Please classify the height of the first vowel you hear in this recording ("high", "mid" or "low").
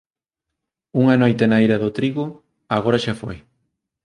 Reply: high